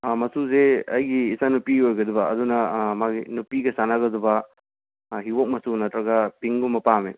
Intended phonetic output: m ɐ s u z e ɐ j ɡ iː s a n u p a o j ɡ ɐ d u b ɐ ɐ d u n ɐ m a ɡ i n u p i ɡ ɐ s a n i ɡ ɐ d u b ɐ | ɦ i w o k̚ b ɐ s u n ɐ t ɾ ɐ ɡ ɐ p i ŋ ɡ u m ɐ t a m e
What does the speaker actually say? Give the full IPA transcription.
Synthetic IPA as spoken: m ɐ s u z e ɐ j ɡ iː s a n u p i o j ɡ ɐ d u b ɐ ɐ d u n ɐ m a ɡ i n u p i ɡ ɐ s a n a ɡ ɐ d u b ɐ | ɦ i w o k̚ m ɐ s u n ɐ t ɾ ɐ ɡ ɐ p i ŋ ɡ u m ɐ p a m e